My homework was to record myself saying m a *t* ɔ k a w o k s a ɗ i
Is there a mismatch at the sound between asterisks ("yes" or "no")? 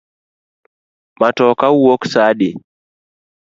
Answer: no